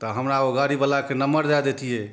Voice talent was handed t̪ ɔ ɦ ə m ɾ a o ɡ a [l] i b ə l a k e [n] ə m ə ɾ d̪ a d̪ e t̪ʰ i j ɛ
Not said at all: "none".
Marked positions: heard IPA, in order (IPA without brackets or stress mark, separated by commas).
ɾ, n